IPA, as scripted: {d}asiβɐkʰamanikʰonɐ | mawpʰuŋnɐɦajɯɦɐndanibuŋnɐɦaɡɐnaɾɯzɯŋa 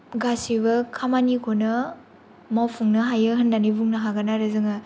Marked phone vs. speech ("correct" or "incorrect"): incorrect